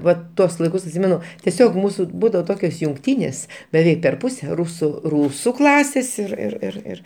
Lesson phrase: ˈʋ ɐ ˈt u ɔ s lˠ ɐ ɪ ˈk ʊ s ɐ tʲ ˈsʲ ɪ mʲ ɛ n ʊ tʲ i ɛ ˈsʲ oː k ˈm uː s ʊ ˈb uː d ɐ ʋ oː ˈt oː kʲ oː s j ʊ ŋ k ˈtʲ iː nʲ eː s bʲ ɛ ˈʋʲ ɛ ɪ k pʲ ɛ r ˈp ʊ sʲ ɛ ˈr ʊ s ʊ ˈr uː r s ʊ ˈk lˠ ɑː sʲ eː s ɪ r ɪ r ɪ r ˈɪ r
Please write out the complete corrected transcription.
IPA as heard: ˈʋ ɐ ˈt u ɔ s lˠ ɐ ɪ ˈk ʊ s ɐ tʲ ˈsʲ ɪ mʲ ɛ n ʊ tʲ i ɛ ˈsʲ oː k ˈm uː s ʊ ˈb uː d ɐ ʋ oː ˈt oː kʲ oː s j ʊ ŋ k ˈtʲ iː nʲ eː s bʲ ɛ ˈʋʲ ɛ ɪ k pʲ ɛ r ˈp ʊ sʲ ɛ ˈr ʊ s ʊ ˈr uː s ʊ ˈk lˠ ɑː sʲ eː s ɪ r ɪ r ɪ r ˈɪ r